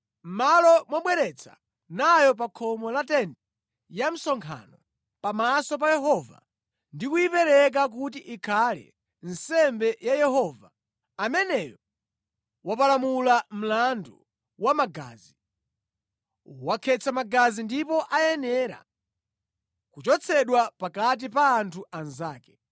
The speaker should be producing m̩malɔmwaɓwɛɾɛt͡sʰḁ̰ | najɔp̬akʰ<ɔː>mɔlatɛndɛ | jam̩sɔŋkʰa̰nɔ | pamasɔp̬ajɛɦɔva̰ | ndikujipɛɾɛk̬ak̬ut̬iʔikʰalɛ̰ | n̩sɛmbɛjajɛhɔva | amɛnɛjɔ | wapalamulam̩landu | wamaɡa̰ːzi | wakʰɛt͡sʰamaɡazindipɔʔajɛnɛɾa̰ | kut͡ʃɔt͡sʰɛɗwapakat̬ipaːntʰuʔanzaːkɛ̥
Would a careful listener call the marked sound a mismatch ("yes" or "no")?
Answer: yes